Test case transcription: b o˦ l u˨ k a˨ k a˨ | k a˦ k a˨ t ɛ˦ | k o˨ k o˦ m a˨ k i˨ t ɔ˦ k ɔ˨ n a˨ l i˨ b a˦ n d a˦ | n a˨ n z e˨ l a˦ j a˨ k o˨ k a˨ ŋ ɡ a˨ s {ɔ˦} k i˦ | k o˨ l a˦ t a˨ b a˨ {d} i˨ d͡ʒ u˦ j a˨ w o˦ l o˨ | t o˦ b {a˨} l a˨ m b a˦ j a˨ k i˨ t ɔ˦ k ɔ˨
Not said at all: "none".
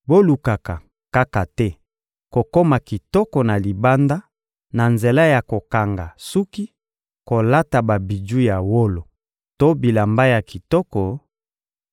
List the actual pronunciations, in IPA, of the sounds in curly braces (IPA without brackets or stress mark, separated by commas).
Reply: u˦, b, i˨